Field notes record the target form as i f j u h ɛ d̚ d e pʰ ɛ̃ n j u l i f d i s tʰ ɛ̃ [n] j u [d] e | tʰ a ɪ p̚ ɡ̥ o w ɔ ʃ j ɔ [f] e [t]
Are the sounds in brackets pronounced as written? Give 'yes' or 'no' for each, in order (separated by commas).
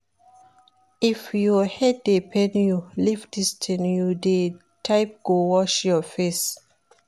yes, yes, yes, no